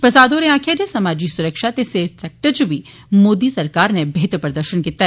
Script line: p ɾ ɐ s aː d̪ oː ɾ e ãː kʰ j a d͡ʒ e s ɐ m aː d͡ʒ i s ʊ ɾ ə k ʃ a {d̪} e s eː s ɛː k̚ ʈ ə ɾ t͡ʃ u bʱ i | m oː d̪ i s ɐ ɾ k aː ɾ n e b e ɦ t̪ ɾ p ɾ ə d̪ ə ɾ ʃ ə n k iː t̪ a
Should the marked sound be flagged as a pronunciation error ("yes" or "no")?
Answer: yes